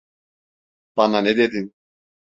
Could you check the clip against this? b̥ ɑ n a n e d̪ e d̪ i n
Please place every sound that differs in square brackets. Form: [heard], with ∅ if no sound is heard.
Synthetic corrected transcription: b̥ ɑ n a n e d̪ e d̪ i n

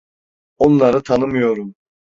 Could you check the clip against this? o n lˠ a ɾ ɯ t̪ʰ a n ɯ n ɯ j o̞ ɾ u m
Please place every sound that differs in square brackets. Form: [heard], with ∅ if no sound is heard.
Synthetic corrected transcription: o n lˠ a ɾ ɯ t̪ʰ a n ɯ [m] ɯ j o̞ ɾ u m

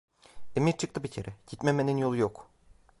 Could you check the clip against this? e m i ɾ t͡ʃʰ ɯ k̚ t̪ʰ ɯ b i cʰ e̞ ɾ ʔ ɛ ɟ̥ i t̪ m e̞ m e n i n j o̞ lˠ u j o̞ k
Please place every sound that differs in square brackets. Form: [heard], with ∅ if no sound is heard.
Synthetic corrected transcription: e m i ɾ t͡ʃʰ ɯ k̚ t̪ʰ ɯ b i cʰ e̞ ɾ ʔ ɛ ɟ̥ i t̪ m e̞ m e n i n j o̞ lˠ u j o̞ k

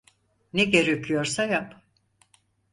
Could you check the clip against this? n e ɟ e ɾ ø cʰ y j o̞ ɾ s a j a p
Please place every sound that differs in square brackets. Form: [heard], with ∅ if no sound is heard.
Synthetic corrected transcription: n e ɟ e ɾ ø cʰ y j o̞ ɾ s a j a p

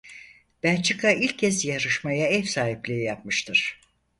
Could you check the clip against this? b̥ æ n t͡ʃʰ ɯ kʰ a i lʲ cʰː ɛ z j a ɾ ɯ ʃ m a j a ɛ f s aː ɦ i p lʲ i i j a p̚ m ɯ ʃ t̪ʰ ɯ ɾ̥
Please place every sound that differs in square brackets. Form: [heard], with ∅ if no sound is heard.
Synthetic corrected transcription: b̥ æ n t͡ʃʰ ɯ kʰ a i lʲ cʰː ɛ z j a ɾ ɯ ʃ m a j a ɛ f s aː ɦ i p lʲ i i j a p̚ m ɯ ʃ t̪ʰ ɯ ɾ̥

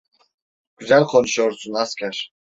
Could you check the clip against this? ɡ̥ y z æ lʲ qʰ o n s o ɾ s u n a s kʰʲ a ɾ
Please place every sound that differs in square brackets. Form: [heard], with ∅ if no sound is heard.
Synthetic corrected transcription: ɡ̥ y z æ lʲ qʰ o n [ʃ] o ɾ s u n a s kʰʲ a ɾ

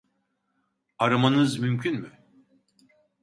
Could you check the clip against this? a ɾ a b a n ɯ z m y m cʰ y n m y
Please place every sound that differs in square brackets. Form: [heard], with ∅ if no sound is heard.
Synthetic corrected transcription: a ɾ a [m] a n ɯ z m y m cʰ y n m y

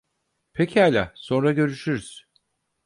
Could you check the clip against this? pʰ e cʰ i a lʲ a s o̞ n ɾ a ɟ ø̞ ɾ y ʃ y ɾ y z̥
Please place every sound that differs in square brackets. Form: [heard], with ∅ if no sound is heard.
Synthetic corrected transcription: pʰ e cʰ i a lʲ a s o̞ n ɾ a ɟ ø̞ ɾ y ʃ y ɾ y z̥

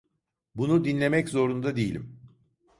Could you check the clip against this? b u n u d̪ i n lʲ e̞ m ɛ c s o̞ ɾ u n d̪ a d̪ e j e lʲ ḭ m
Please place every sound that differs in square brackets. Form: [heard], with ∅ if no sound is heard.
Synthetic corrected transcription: b u n u d̪ i n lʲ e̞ m ɛ c [z] o̞ ɾ u n d̪ a d̪ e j [i] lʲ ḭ m

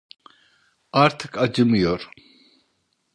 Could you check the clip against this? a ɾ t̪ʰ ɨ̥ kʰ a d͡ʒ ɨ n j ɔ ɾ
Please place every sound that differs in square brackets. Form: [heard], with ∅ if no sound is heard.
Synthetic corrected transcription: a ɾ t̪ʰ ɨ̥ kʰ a d͡ʒ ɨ [m] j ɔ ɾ

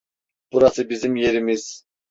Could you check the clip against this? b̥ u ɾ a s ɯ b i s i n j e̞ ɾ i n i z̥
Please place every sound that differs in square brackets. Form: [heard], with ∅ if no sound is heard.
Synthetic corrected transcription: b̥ u ɾ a s ɯ b i [z] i [m] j e̞ ɾ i [m] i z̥

